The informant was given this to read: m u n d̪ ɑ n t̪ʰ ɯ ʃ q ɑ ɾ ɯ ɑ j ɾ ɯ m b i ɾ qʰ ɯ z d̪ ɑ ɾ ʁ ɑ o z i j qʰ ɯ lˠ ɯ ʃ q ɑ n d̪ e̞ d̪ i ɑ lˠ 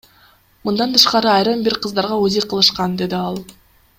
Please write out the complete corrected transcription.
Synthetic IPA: m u n d̪ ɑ n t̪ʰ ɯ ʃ q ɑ ɾ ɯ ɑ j ɾ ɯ m b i ɾ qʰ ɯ z d̪ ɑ ɾ ʁ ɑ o z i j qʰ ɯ lˠ ɯ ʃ q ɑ n d̪ e̞ d̪ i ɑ lˠ